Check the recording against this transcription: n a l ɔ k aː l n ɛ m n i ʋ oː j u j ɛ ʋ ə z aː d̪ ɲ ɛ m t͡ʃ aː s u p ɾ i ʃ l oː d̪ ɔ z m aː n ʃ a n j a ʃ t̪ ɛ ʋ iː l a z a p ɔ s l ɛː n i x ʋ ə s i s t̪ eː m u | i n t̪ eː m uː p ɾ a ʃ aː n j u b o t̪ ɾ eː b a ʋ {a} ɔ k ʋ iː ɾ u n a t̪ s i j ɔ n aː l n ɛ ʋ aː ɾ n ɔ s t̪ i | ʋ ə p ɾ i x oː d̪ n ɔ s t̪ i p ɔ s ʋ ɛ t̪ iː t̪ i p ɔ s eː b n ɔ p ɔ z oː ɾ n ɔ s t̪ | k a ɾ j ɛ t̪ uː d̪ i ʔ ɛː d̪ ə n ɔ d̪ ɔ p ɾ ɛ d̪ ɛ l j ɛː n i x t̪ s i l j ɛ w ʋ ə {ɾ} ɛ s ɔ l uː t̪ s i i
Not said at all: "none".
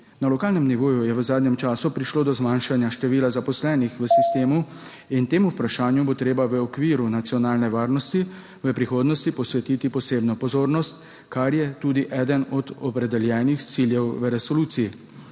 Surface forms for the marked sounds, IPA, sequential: ə, ɾ

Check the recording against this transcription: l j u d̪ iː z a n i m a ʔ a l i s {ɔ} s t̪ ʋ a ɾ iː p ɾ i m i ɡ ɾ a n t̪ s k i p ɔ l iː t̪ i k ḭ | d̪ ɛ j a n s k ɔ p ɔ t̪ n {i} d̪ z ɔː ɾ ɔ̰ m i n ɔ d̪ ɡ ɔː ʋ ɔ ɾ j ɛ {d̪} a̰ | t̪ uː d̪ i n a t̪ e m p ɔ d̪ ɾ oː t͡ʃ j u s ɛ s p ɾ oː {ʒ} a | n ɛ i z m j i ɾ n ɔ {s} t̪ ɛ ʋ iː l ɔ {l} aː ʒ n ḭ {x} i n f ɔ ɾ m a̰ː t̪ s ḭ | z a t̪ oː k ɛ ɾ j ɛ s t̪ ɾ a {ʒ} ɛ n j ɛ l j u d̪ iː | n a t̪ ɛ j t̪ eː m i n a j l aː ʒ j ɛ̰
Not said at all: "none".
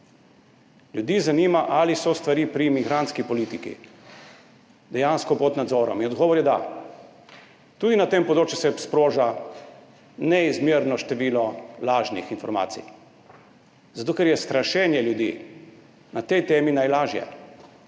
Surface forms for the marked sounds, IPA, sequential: ɔ, a, d̪, ʒ, ʃ, l, x, ʃ

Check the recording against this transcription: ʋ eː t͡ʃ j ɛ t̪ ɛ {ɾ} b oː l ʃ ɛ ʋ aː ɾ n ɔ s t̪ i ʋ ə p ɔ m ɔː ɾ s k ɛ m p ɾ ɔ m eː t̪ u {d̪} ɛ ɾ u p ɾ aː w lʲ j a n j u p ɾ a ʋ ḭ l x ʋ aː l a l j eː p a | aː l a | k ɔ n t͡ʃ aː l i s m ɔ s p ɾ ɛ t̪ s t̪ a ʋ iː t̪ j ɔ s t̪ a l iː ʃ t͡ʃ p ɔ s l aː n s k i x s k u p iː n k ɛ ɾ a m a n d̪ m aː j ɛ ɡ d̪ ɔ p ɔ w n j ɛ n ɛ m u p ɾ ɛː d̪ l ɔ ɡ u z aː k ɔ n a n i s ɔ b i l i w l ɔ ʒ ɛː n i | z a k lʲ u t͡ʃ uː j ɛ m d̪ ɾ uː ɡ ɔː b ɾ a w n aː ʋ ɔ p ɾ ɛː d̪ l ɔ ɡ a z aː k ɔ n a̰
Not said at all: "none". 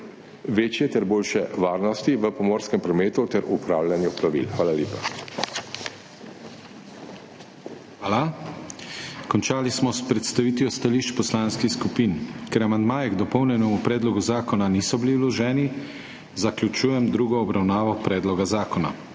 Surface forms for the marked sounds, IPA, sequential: ɾ, t̪

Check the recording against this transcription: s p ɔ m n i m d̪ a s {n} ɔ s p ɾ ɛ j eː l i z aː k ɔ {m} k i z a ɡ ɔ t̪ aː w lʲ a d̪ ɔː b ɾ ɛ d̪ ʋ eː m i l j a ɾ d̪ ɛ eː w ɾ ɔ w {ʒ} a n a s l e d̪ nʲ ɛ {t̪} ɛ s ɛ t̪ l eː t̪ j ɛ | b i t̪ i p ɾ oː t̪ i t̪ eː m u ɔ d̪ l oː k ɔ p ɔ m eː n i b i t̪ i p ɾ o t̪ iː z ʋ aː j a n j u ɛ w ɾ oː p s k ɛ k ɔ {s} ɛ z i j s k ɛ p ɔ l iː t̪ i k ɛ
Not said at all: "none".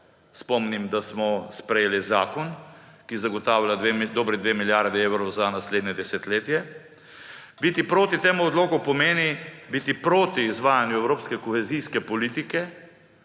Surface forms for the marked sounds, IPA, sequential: m, n, z, d̪, x

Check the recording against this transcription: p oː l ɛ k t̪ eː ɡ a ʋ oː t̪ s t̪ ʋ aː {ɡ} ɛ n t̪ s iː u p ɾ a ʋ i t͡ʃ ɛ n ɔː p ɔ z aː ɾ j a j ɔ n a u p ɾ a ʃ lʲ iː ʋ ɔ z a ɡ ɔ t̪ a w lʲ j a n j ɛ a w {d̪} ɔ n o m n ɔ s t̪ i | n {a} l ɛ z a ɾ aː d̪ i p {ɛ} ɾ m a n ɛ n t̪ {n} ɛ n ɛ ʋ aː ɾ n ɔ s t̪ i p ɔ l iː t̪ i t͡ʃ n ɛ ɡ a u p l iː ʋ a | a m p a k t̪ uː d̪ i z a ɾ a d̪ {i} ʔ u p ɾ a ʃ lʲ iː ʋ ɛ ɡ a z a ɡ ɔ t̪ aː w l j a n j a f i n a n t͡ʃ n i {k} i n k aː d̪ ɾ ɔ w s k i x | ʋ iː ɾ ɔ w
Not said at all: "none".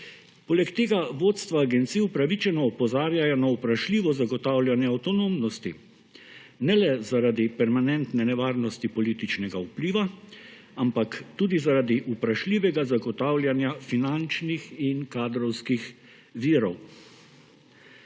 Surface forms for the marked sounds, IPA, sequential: ɡ, t̪, ɛ, ɛ, n, i, x

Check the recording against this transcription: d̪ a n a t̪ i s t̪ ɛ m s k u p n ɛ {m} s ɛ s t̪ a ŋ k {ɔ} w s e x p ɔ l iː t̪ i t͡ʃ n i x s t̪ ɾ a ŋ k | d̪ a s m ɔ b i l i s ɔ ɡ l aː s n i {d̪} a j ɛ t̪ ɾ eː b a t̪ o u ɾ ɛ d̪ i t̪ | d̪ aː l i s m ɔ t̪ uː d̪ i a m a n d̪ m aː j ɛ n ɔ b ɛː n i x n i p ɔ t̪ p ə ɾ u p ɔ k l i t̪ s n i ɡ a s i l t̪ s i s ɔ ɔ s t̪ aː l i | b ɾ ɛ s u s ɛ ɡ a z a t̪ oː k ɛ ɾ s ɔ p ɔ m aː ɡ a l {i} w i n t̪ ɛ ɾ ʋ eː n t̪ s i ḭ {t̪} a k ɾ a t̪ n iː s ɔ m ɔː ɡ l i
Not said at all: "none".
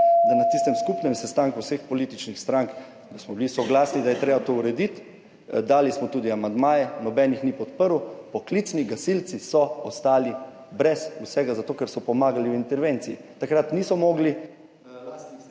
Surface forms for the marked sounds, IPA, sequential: m, u, d̪, i, t̪

